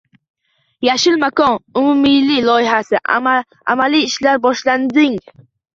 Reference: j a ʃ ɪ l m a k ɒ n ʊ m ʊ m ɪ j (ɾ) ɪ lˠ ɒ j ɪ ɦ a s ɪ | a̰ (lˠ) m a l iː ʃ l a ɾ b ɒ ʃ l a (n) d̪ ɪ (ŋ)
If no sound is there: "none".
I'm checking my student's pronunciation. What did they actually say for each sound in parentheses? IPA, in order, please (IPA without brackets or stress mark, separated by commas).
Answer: l, none, n, ŋ